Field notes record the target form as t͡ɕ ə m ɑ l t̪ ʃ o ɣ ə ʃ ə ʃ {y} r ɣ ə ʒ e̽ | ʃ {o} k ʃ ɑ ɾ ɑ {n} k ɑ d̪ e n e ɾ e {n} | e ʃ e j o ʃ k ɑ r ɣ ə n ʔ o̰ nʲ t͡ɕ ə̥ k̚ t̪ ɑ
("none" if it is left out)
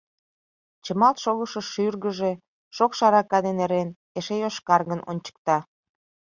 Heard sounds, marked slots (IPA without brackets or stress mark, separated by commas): y, o, none, n